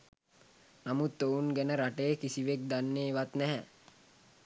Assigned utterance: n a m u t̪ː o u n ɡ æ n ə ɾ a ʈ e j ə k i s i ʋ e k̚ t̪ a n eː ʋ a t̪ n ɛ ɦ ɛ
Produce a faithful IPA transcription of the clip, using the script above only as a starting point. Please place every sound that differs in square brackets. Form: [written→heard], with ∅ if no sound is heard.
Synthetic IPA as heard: n a m u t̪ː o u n ɡ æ n ə ɾ a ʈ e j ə k i s i ʋ e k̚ [t̪→d̪] a [n→nː] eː ʋ a t̪ n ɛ ɦ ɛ